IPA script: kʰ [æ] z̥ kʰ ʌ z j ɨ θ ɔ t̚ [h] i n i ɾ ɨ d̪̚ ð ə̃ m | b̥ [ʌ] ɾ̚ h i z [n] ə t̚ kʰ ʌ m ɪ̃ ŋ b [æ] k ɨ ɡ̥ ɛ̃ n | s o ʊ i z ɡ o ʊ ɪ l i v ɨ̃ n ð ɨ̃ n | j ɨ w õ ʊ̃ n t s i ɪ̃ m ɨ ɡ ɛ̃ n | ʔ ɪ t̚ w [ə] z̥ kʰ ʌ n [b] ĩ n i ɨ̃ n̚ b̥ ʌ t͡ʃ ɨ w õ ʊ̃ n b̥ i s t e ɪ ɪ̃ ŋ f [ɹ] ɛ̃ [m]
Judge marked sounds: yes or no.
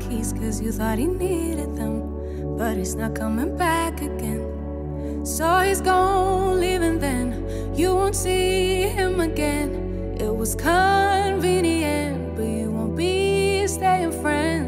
no, yes, yes, yes, yes, no, no, yes, no

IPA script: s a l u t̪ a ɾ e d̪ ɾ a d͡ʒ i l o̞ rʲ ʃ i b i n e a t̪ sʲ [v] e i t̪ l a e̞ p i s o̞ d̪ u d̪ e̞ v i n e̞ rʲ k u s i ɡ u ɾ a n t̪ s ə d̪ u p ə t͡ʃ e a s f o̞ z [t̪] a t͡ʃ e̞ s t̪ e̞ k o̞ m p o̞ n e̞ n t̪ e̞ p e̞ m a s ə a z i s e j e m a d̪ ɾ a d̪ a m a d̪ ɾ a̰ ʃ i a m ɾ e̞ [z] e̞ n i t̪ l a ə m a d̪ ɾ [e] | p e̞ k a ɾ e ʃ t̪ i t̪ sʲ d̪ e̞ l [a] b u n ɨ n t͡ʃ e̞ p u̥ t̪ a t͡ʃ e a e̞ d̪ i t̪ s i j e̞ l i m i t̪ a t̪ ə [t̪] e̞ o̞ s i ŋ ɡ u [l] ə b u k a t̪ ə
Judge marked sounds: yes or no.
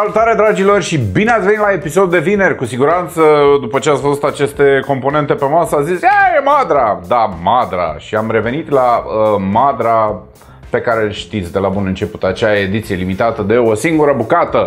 yes, yes, no, no, yes, no, no

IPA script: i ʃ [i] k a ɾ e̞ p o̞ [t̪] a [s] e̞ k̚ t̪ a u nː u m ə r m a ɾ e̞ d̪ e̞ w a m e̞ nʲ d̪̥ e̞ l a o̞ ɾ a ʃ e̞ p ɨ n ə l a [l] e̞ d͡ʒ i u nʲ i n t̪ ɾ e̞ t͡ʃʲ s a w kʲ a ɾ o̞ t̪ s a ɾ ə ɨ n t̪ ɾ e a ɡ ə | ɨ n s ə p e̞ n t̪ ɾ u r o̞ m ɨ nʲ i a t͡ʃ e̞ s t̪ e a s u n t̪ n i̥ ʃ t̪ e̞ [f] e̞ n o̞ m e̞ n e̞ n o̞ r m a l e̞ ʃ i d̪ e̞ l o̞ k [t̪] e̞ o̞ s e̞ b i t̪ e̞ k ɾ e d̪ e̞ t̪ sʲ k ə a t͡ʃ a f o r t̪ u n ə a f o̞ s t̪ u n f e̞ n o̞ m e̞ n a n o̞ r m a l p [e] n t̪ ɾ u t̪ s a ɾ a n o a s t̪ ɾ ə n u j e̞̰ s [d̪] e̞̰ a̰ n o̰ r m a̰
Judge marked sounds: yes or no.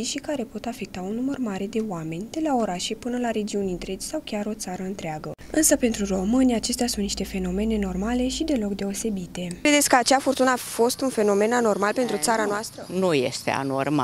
yes, yes, no, no, yes, no, yes, no

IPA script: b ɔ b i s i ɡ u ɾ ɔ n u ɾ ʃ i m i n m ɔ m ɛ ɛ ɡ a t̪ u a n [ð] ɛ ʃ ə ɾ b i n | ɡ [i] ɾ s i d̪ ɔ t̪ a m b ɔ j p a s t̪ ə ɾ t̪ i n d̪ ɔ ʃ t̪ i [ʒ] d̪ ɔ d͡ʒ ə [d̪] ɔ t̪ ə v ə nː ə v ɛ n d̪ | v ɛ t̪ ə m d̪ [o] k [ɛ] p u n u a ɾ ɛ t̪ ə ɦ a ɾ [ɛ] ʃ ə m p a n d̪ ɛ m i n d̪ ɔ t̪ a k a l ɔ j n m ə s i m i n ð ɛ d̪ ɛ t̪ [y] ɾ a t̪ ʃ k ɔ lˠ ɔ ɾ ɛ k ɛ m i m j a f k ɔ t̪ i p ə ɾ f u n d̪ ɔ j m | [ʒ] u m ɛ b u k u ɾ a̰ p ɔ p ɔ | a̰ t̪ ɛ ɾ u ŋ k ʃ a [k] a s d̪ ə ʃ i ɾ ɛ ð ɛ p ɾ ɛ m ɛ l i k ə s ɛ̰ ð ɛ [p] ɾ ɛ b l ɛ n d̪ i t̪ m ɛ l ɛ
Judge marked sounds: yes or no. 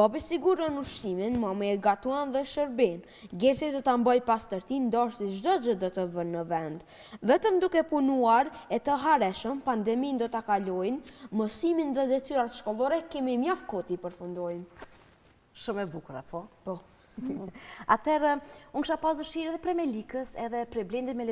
yes, no, yes, yes, no, yes, yes, yes, no, no, yes

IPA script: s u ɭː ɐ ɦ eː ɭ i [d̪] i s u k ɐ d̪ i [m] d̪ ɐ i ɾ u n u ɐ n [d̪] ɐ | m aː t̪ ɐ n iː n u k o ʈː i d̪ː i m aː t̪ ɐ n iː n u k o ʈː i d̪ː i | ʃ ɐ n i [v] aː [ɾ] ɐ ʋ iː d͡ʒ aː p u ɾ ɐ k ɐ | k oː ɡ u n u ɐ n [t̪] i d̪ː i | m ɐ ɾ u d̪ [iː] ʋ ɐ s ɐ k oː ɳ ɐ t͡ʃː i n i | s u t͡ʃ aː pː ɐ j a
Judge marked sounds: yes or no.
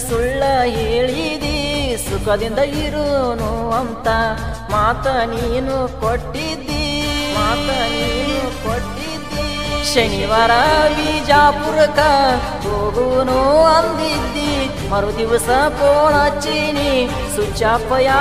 yes, no, no, no, yes, no, no

